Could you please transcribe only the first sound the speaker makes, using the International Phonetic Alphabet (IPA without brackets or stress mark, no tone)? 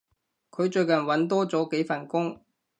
kʰ